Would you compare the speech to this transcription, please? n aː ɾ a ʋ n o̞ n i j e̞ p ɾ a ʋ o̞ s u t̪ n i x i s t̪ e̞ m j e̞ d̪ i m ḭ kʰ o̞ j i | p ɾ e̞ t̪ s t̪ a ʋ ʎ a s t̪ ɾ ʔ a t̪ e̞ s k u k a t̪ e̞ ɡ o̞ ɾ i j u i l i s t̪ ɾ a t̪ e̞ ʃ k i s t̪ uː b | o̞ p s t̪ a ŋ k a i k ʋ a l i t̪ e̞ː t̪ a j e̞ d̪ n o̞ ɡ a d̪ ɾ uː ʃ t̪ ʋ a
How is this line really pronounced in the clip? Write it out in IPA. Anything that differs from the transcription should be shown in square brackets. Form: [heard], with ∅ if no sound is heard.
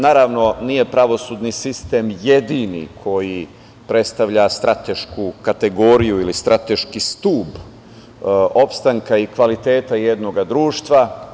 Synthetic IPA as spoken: n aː ɾ a ʋ n o̞ n i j e̞ p ɾ a ʋ o̞ s u [d̪] n i [s] i s t̪ e̞ m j e̞ d̪ i [n] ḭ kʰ o̞ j i | p ɾ e̞ t̪ s t̪ a ʋ ʎ a s t̪ ɾ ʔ a t̪ e̞ [ʃ] k u k a t̪ e̞ ɡ o̞ ɾ i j u i l i s t̪ ɾ a t̪ e̞ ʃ k i s t̪ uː b | o̞ p s t̪ a ŋ k a i k ʋ a l i t̪ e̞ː t̪ a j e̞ d̪ n o̞ ɡ a d̪ ɾ uː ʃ t̪ ʋ a

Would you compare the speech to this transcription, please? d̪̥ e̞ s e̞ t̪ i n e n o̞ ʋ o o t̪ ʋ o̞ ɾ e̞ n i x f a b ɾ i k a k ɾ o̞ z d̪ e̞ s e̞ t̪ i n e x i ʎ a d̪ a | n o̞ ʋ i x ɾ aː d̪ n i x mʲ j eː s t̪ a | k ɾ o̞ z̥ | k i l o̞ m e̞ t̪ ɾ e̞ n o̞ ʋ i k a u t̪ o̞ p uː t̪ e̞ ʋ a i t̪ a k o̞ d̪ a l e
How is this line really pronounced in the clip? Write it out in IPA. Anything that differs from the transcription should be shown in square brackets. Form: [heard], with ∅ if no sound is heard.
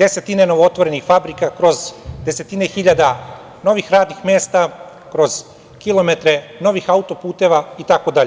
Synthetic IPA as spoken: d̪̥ e̞ s e̞ t̪ i n e n o̞ ʋ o o t̪ ʋ o̞ ɾ e̞ n i x f a b ɾ i k a k ɾ o̞ z d̪ e̞ s e̞ t̪ i n e x i ʎ a d̪ a | n o̞ ʋ i x ɾ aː d̪ n i x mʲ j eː s t̪ a | k ɾ o̞ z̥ | k i l o̞ m e̞ t̪ ɾ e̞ n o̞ ʋ i [x] a u t̪ o̞ p uː t̪ e̞ ʋ a i t̪ a k o̞ d̪ a [ʎ] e

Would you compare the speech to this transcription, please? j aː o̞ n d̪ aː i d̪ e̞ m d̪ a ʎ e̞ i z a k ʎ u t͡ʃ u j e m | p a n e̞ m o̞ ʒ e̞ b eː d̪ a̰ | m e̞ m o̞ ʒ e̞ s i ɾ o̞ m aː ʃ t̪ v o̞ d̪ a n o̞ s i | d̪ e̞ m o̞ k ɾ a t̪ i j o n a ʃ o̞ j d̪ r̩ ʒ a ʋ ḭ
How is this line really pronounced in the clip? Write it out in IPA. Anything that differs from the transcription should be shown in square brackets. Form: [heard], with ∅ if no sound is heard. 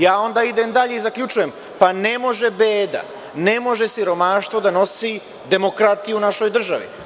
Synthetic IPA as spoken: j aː o̞ n d̪ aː i d̪ e̞ m d̪ a ʎ e̞ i z a k ʎ u t͡ʃ u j e m | p a n e̞ m o̞ ʒ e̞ b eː d̪ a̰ | [n] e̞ m o̞ ʒ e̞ s i ɾ o̞ m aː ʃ t̪ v o̞ d̪ a n o̞ s i | d̪ e̞ m o̞ k ɾ a t̪ i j [u] n a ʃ o̞ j d̪ r̩ ʒ a ʋ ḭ

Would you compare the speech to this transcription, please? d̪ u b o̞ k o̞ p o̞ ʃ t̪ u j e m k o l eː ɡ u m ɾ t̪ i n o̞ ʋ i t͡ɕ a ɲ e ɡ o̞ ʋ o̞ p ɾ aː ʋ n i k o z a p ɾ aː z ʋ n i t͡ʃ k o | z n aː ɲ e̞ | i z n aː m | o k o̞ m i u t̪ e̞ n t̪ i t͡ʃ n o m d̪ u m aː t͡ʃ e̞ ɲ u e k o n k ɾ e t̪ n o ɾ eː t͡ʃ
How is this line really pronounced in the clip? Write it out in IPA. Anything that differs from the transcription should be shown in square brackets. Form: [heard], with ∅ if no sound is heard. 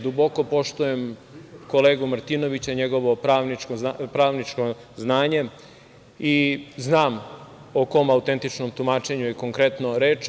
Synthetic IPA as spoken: d̪ u b o̞ k o̞ p o̞ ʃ t̪ u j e m k o l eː ɡ u m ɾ t̪ i n o̞ ʋ i t͡ɕ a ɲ e ɡ o̞ ʋ o̞ p ɾ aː ʋ n i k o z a p ɾ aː [∅] ʋ n i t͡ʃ k o | z n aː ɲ e̞ | i z n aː m | o k o̞ m [a] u t̪ e̞ n t̪ i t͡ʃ n o m [t̪] u m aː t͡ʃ e̞ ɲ u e k o [ŋ] k ɾ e t̪ n o ɾ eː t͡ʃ

